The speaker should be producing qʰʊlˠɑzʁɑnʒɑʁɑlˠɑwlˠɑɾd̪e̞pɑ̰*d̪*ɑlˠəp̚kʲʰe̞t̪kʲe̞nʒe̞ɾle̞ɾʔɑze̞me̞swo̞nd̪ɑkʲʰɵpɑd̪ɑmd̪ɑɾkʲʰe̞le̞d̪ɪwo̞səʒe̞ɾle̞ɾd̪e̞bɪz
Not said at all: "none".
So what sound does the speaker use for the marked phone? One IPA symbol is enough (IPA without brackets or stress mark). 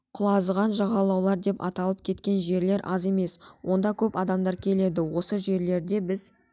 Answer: t̪